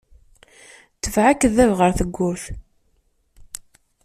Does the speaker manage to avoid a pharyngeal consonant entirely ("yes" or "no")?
no